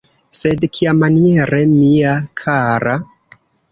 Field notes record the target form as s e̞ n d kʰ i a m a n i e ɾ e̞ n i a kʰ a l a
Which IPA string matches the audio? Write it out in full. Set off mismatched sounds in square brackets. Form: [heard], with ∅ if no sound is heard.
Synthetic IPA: s e̞ [∅] d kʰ i a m a n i e ɾ e̞ [m] i a kʰ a [ɾ] a